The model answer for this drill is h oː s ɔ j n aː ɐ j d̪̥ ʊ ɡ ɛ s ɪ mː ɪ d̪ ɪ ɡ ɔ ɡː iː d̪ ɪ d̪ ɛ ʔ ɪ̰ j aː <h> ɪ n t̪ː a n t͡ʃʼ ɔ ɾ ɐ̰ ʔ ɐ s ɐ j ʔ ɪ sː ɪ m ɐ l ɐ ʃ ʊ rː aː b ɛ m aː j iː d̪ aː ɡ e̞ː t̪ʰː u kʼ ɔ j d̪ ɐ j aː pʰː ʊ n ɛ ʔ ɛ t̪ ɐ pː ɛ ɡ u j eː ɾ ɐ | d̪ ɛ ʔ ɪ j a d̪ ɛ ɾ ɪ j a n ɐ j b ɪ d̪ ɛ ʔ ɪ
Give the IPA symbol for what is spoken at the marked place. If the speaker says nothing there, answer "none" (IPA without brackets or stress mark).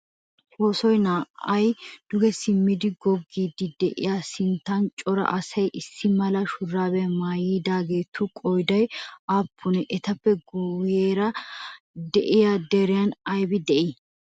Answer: s